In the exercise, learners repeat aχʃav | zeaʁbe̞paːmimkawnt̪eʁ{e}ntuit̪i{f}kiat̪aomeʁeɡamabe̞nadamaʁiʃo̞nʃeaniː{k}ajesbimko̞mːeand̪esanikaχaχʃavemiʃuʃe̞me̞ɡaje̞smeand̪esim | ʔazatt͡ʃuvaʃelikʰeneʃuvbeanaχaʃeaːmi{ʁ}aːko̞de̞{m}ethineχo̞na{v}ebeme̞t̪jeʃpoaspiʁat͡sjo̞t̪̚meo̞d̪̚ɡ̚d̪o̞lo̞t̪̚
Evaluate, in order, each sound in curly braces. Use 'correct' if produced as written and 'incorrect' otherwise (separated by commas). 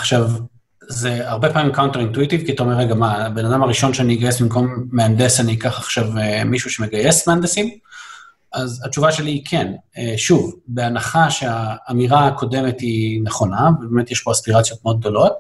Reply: incorrect, incorrect, incorrect, correct, correct, correct